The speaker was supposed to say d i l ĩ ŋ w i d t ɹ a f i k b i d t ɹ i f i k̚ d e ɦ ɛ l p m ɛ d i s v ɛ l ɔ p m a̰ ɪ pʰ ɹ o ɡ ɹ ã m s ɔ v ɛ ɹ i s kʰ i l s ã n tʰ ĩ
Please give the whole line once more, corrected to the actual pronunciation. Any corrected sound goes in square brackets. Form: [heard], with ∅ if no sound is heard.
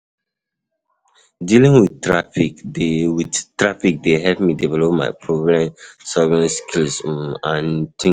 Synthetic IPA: d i l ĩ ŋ w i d t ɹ a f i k [w] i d t ɹ [a] f i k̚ d e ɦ ɛ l p m [i] d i [∅] v ɛ l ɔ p m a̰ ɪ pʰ ɹ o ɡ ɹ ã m s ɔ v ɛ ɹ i s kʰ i l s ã n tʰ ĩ